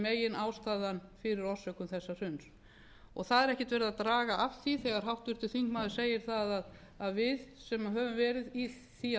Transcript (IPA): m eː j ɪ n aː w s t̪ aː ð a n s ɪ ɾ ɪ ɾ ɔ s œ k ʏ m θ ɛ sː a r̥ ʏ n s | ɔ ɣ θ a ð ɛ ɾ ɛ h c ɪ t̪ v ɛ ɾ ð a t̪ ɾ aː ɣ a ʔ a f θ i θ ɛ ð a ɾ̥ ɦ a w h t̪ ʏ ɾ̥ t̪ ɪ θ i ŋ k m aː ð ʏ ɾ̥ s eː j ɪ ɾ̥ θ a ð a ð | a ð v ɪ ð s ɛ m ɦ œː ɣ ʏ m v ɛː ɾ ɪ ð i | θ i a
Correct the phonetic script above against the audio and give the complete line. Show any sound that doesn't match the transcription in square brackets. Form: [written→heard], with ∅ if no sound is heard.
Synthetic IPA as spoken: m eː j ɪ n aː w s t̪ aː ð a n [s→f] ɪ ɾ ɪ ɾ ɔ s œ k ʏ m θ ɛ sː a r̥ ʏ n s | ɔ ɣ θ a ð ɛ ɾ ɛ h c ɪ t̪ v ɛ ɾ ð a t̪ ɾ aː ɣ a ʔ a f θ i θ ɛ [ð→ɣ] a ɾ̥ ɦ a w h t̪ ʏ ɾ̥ t̪ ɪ θ i ŋ k m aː ð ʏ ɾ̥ s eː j ɪ ɾ̥ θ a ð a ð | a ð v ɪ ð s ɛ m ɦ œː [ɣ→v] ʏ m v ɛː ɾ ɪ ð i | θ i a